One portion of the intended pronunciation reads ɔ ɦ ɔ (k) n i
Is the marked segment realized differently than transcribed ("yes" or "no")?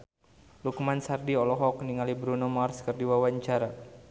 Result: no